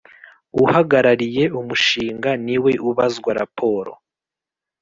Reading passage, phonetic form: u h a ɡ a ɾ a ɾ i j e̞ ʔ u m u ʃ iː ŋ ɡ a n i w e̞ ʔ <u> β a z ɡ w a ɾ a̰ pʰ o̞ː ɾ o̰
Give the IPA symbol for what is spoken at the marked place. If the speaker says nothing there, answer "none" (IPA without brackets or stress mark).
u